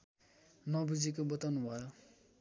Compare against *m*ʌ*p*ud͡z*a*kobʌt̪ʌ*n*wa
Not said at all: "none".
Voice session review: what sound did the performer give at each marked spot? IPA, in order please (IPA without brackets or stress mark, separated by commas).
n, b, i, n